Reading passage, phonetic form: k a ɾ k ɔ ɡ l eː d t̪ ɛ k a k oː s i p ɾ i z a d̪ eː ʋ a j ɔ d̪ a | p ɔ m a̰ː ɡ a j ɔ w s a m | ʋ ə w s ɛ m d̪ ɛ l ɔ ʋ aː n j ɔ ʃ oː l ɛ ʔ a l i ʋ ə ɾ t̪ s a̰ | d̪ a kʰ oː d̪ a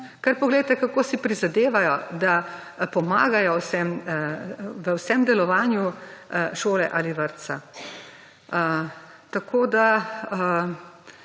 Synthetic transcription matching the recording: k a ɾ p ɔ ɡ l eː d t̪ ɛ k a k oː s i p ɾ i z a d̪ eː ʋ a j ɔ d̪ a | p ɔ m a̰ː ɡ a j ɔ w s ɛ m | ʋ ə w s ɛ m d̪ ɛ l ɔ ʋ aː n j u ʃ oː l ɛ ʔ a l i ʋ ə ɾ t̪ s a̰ | t̪ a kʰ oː d̪ a